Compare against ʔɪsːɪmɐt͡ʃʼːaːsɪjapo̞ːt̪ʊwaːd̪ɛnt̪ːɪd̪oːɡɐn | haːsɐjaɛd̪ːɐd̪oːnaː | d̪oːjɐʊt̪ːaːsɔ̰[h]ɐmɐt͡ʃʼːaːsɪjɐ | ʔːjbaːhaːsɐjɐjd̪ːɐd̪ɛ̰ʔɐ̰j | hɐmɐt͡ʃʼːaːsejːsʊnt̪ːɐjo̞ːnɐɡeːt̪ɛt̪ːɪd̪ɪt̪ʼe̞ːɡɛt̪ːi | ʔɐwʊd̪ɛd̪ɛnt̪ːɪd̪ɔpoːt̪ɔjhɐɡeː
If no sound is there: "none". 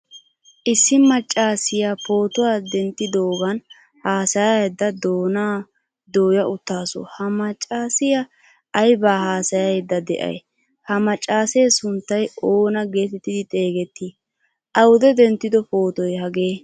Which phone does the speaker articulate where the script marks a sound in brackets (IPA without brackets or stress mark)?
h